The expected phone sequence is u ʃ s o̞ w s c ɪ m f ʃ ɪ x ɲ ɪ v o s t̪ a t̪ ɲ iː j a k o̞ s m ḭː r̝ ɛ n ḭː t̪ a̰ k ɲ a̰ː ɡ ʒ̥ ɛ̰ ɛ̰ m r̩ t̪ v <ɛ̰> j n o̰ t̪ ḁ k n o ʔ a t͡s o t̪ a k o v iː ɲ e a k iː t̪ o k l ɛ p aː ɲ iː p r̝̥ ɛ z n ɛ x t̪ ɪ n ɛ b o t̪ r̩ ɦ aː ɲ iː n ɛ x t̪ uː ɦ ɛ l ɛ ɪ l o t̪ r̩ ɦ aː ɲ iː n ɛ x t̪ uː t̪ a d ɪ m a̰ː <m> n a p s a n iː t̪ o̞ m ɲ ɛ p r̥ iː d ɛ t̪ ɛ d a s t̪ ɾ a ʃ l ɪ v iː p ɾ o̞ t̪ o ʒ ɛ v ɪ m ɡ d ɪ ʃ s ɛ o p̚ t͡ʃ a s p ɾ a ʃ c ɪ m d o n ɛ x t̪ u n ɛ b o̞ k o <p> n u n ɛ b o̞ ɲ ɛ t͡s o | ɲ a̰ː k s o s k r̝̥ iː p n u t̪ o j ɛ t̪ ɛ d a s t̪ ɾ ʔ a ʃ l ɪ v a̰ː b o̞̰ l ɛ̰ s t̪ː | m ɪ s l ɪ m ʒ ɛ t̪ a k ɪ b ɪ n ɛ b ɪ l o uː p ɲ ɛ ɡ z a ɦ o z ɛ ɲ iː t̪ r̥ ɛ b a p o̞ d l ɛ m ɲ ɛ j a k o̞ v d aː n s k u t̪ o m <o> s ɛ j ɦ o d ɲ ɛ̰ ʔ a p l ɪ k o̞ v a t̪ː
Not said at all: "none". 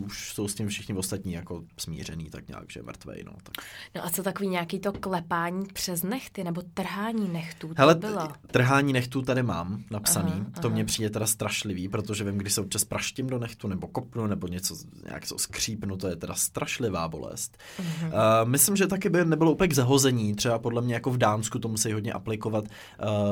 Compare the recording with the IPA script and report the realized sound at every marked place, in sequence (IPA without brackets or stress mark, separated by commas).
ɛ̰, m, p, u